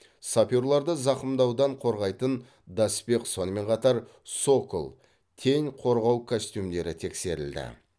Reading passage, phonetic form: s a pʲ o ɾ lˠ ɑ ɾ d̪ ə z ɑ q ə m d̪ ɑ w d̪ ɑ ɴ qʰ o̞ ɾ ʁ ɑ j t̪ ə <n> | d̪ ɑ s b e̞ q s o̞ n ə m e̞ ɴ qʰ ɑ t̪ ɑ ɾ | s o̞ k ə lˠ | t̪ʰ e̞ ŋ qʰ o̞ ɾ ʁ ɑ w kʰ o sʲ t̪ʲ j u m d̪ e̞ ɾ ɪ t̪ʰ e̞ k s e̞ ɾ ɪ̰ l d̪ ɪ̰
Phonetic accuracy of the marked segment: correct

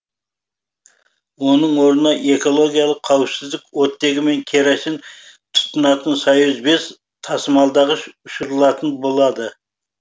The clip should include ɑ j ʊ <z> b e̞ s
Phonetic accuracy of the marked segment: correct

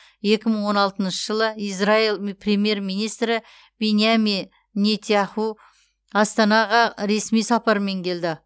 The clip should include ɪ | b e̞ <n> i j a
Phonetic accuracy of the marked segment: correct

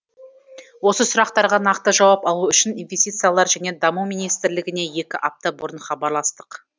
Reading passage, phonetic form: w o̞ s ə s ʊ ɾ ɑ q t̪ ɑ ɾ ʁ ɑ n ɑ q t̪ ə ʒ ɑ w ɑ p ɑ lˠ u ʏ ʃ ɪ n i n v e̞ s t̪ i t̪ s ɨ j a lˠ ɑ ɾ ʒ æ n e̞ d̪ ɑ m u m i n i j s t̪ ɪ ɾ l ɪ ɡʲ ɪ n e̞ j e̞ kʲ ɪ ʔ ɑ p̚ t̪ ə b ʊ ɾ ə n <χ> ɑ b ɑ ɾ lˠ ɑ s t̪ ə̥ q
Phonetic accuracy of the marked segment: correct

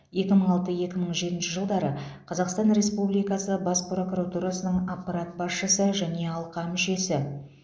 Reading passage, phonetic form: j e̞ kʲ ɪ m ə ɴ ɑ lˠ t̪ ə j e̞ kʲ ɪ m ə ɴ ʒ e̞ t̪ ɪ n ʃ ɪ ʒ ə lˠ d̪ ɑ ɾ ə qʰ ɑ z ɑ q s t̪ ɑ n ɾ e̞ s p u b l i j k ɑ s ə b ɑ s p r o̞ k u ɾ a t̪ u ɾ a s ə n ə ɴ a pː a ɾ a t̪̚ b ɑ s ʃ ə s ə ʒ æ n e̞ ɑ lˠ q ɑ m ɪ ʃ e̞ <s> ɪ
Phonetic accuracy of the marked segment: correct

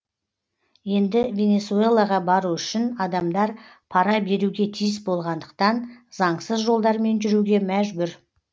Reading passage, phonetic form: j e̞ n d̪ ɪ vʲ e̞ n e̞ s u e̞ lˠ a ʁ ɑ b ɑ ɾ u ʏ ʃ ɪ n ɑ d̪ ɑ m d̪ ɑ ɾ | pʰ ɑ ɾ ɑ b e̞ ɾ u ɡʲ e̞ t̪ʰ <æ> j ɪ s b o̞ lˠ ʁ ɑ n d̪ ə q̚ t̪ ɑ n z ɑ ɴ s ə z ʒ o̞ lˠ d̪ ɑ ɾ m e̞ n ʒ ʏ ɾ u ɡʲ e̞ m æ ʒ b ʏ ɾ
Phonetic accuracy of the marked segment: incorrect: i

